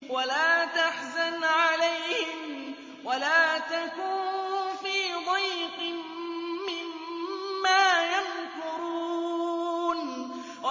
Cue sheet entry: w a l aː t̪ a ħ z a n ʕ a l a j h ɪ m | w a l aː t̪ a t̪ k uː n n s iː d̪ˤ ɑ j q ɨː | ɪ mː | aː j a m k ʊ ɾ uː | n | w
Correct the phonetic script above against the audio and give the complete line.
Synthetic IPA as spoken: w a l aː t̪ a ħ z a n ʕ a l a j h ɪ m | w a l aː t̪ a k uː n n f iː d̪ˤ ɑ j q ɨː | ɪ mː | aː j a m k ʊ ɾ uː | n | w